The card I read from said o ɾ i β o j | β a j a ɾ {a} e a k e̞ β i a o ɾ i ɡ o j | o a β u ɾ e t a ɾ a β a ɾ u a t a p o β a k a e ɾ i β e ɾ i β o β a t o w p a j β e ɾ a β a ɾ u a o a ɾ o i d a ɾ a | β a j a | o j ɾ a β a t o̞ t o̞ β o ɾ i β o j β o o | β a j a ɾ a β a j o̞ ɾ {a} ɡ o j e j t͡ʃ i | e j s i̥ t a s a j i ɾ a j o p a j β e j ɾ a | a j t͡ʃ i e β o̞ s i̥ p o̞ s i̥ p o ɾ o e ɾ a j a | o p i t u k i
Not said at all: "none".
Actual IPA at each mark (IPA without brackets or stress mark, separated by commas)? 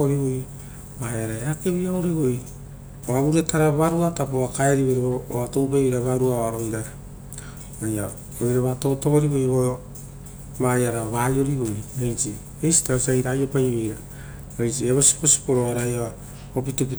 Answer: a, i